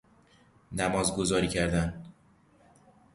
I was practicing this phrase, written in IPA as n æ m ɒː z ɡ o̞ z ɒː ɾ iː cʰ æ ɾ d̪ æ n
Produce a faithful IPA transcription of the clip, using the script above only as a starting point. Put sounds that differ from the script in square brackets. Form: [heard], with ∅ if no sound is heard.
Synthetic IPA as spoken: n æ m ɒː z ɡ o̞ z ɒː ɾ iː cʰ æ ɾ d̪ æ n